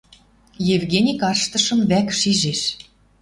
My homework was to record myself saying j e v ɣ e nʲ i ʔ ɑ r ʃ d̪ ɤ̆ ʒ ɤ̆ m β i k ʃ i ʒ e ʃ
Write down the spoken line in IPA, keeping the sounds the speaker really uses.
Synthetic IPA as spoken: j e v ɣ e nʲ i k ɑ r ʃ t̪ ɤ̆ ʃ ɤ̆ m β æ k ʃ i ʒ e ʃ

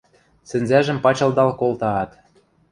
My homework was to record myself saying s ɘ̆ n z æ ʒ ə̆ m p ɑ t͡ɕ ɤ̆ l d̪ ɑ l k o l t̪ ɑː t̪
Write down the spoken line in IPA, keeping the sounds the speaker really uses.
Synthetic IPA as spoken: s ɘ̆ n z æ ʒ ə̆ m p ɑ t͡ɕ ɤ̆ l d̪ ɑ l k o l t̪ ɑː t̪

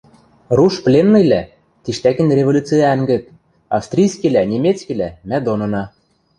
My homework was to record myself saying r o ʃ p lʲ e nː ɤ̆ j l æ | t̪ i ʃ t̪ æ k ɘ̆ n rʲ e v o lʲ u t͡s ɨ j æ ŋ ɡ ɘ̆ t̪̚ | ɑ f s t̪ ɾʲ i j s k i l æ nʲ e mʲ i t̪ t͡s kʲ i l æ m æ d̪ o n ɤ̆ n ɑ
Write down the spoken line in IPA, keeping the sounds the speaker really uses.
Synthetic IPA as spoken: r u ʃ p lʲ e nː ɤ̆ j l æ | t̪ i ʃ t̪ æ k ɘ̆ n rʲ e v o lʲ u t͡s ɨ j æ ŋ ɡ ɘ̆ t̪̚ | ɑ f s t̪ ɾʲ i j s k i l æ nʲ e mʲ e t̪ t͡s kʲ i l æ m æ d̪ o n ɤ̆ n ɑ

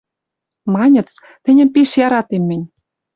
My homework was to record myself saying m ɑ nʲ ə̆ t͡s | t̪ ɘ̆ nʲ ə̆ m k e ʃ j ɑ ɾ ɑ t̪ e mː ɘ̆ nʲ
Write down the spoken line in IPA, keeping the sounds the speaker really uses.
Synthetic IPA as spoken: m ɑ nʲ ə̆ t͡s | t̪ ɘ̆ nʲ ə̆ m p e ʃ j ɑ ɾ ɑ t̪ e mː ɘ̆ nʲ

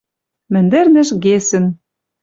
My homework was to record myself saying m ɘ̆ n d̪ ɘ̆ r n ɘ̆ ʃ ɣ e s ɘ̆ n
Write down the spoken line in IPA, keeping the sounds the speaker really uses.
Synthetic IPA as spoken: m ɘ̆ n d̪ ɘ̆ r n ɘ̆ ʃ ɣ e s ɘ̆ n

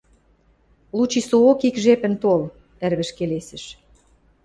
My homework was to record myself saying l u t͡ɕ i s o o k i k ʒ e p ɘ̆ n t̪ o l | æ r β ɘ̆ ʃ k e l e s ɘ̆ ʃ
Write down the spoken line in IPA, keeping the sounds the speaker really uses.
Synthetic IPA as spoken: l u t͡ɕ i s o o k i k ʒ e p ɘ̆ n t̪ o l | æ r β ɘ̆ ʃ k e l e s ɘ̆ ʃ

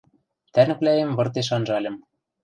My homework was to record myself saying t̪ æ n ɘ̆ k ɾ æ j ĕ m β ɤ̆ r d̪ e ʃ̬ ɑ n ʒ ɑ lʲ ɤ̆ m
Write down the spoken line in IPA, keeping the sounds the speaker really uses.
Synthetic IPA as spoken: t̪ æ n ɘ̆ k l æ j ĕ m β ɤ̆ r t̪ e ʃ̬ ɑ n ʒ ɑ lʲ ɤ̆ m

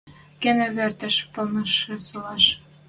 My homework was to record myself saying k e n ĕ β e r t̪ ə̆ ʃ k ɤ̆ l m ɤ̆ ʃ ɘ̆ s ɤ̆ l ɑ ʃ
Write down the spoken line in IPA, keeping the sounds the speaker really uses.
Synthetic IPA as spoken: k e n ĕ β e r t̪ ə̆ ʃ p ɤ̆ l n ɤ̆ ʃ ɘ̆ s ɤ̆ l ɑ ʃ

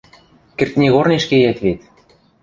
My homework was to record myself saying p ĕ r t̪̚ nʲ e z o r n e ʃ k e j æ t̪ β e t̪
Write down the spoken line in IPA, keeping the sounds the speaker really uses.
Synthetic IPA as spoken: k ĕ r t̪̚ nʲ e ɣ o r n e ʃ k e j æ t̪ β e t̪

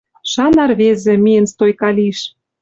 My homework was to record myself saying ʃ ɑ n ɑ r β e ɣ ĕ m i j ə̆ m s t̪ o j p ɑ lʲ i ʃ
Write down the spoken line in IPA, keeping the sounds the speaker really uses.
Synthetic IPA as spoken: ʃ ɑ n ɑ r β e z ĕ m i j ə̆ n s t̪ o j k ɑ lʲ i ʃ

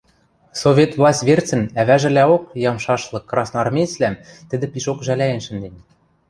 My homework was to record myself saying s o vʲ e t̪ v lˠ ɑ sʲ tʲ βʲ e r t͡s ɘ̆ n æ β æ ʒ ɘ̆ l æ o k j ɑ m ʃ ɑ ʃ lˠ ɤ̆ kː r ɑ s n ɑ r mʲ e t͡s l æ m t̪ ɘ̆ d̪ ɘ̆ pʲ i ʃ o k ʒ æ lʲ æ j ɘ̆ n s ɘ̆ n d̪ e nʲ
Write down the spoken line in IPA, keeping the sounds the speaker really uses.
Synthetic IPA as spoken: s o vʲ e t̪ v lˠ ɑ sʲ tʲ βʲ e r t͡s ɘ̆ n æ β æ ʒ ɘ̆ l æ o k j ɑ m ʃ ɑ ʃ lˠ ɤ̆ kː r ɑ s n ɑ r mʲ e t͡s l æ m t̪ ɘ̆ d̪ ɘ̆ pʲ i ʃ o k ʒ æ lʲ æ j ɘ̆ n ʃ ɘ̆ n d̪ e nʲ

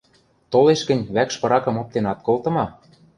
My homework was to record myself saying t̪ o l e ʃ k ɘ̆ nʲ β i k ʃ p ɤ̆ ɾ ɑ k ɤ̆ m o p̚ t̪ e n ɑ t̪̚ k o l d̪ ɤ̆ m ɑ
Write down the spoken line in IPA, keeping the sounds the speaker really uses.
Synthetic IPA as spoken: t̪ o l e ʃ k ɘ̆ nʲ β æ k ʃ p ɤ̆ ɾ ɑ k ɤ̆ m o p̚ t̪ e n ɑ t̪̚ k o l t̪ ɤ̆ m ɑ

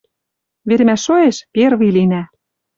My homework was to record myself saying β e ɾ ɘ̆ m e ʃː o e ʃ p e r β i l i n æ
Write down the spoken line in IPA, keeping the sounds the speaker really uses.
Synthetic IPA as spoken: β e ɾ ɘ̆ m æ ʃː o e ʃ p e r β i l i n æ

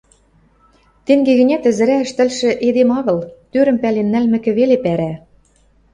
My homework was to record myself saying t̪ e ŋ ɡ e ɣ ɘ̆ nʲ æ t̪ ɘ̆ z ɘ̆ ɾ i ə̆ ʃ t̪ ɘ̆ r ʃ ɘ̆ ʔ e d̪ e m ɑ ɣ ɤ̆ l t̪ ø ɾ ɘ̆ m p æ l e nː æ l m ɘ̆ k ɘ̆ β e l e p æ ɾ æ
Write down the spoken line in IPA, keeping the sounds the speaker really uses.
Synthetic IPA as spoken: t̪ e ŋ ɡ e ɣ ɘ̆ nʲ æ t̪ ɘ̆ z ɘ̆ ɾ æ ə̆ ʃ t̪ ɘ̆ l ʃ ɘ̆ ʔ e d̪ e m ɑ ɣ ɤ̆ l t̪ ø ɾ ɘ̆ m p æ l e nː æ l m ɘ̆ k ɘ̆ β e l e p æ ɾ æ

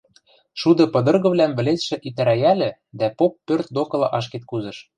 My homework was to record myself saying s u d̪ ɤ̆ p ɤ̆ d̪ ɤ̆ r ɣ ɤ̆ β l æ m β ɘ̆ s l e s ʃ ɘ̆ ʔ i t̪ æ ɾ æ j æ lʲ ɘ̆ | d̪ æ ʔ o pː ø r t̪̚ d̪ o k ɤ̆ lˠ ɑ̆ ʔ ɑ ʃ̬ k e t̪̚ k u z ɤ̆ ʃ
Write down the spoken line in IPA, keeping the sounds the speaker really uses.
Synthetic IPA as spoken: ʃ u d̪ ɤ̆ p ɤ̆ d̪ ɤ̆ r ɣ ɤ̆ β l æ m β ɘ̆ l e s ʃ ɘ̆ ʔ i t̪ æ ɾ æ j æ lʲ ɘ̆ | d̪ æ p o pː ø r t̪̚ d̪ o k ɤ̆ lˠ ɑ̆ ʔ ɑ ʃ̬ k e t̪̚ k u z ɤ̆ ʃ

